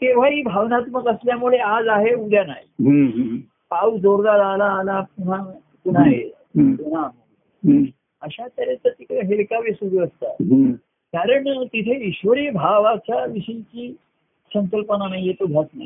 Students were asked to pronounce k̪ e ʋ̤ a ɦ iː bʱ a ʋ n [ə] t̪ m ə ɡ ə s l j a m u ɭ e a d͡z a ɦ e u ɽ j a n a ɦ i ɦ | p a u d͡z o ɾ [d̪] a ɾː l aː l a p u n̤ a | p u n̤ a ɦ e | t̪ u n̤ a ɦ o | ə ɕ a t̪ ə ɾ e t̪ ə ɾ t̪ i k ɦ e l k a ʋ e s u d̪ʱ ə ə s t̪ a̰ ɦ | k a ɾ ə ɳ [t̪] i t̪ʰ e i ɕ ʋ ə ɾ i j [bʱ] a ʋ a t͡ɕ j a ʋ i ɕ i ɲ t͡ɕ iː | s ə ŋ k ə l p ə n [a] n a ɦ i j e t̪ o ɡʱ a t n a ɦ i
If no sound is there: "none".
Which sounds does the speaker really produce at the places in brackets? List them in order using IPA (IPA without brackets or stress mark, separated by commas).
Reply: a, d̪, t̪, bʱ, a